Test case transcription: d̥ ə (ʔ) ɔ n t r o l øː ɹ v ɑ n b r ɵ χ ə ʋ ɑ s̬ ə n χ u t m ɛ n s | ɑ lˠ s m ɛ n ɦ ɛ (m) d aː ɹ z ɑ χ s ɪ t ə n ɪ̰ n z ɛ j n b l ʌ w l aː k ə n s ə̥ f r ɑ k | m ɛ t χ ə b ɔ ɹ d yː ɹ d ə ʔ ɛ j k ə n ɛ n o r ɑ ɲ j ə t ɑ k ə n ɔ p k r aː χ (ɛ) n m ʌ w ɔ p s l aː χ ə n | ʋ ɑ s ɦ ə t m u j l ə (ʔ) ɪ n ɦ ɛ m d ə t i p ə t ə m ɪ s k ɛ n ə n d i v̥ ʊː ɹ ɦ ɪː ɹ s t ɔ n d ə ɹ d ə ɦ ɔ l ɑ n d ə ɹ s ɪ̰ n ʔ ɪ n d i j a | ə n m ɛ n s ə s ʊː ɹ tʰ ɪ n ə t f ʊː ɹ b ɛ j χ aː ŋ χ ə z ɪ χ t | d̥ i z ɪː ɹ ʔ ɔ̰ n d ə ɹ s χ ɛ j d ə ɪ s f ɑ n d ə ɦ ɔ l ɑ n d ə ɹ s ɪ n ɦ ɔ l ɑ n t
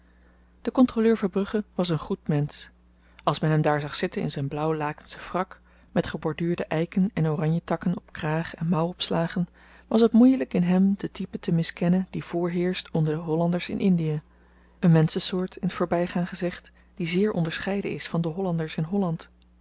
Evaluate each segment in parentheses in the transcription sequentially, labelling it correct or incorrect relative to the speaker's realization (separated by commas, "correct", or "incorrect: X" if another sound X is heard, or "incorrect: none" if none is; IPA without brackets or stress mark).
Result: incorrect: k, correct, correct, incorrect: k